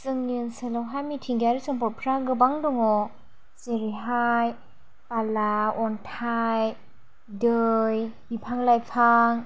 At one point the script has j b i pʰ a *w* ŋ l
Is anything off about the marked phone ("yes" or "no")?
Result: yes